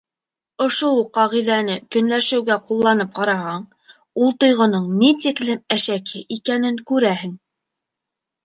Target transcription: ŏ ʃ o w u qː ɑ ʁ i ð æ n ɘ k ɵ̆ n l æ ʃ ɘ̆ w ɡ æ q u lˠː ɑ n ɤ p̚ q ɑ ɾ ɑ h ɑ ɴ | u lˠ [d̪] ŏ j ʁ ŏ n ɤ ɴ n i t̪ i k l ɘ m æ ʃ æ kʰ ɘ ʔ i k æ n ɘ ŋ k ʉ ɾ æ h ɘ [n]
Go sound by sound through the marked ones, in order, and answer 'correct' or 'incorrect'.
incorrect, incorrect

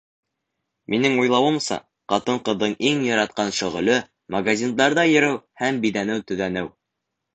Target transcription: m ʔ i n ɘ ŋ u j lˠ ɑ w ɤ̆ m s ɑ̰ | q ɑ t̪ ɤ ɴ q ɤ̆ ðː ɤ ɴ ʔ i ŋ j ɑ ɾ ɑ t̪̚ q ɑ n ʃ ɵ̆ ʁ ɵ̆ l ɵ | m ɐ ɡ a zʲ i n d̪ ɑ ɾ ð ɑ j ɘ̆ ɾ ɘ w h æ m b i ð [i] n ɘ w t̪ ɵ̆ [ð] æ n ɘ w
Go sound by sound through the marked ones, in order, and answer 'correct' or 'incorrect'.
incorrect, correct

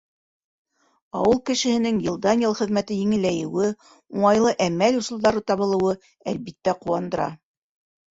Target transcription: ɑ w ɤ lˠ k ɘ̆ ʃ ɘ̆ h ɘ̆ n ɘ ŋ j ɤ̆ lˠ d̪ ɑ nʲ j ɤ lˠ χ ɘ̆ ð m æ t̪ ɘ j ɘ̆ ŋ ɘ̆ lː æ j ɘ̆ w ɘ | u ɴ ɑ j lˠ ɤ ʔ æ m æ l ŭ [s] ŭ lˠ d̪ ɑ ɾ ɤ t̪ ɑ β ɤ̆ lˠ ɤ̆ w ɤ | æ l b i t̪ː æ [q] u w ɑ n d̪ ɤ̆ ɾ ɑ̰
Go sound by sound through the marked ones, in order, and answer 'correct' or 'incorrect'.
correct, correct

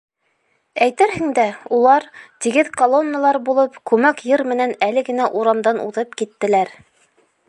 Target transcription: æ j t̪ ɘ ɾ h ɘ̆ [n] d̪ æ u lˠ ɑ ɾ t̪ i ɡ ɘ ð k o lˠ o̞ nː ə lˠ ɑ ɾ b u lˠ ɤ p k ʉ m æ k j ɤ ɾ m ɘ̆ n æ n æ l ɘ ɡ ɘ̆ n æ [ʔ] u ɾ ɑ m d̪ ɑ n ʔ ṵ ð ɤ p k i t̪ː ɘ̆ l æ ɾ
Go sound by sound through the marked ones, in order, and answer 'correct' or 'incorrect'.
incorrect, correct

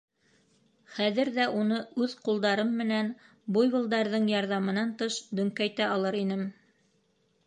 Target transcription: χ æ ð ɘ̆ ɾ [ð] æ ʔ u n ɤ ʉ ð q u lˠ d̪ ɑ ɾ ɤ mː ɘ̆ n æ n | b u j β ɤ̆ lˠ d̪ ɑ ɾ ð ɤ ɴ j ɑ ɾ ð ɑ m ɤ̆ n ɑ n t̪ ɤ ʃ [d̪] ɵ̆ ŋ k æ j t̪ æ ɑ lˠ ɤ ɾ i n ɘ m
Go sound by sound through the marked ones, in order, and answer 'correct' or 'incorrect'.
correct, correct

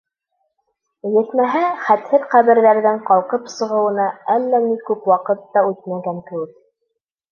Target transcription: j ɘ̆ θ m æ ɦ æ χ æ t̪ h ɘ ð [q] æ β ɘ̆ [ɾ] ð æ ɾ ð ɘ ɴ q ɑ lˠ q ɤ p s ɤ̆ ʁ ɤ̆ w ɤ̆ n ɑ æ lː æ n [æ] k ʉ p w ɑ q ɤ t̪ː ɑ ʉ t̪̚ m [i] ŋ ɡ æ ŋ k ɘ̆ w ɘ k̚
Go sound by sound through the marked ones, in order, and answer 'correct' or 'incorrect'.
correct, correct, incorrect, incorrect

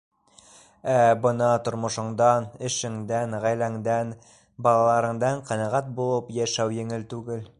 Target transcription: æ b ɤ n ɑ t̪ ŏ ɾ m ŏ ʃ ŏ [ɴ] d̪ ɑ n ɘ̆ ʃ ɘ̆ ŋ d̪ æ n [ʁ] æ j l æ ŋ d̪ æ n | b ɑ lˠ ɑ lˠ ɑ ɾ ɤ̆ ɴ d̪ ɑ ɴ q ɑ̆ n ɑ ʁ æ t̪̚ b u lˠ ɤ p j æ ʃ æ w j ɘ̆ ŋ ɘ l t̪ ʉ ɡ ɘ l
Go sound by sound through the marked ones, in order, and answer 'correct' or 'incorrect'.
correct, correct

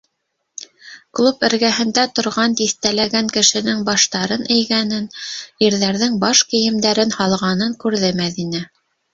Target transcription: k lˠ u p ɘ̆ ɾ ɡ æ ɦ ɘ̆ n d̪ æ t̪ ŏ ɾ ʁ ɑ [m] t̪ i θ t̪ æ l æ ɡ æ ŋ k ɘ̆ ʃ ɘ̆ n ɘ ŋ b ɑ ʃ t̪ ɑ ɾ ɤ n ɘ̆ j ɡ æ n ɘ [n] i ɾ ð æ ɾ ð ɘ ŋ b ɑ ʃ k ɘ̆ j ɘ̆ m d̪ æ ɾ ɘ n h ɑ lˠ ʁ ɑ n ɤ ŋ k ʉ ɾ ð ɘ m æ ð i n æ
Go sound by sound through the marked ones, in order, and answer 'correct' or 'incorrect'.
incorrect, correct

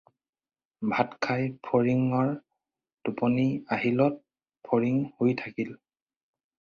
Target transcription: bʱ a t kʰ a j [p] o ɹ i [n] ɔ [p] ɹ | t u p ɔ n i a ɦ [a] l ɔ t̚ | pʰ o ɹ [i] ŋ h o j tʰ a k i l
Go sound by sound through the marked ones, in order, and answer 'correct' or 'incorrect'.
incorrect, incorrect, incorrect, incorrect, correct

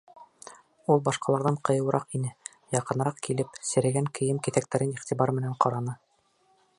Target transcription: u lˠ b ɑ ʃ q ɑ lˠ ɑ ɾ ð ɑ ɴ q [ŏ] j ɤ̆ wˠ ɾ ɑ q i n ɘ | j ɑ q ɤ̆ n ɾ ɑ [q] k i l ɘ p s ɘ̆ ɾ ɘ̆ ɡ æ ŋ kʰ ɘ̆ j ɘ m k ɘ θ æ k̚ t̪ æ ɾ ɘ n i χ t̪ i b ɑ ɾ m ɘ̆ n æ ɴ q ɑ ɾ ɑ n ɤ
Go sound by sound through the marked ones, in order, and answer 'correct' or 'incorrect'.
incorrect, correct

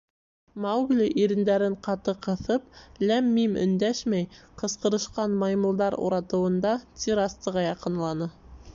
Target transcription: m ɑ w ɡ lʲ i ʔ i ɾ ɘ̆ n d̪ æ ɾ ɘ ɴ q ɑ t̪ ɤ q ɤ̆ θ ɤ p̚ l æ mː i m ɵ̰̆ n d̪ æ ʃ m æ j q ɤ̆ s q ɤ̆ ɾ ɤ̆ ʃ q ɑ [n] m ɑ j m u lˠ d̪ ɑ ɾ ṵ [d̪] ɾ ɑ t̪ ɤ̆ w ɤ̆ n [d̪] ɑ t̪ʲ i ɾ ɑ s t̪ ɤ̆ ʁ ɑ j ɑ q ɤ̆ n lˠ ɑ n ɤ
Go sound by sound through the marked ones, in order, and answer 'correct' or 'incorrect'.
correct, incorrect, correct

